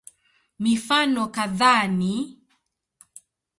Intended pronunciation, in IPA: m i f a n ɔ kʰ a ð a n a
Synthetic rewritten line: m i f a n ɔ k a ð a n i